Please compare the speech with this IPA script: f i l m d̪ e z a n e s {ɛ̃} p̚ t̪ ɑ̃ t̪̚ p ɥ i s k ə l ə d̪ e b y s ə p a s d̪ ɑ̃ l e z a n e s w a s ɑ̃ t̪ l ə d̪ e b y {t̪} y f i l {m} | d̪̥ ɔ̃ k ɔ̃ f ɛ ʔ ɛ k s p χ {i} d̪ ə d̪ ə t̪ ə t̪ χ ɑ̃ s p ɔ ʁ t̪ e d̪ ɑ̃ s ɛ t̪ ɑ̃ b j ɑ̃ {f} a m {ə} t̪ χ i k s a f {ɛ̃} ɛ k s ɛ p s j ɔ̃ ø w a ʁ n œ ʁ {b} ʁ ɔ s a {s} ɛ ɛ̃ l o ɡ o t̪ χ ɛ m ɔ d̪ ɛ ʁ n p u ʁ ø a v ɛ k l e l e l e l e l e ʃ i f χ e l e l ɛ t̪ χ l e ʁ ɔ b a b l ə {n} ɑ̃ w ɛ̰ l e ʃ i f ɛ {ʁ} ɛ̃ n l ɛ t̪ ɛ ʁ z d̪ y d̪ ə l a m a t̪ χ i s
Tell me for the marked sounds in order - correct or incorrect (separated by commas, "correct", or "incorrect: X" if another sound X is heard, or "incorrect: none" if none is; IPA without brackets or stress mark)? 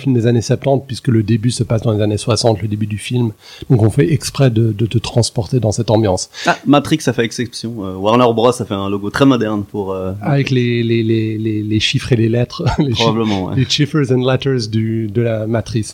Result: incorrect: ɛ, incorrect: d̪, correct, incorrect: ɛ, incorrect: s, incorrect: a, incorrect: ɛ, correct, incorrect: f, incorrect: m, incorrect: z